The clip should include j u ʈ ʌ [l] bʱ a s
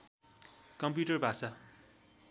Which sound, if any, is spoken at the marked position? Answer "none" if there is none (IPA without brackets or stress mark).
r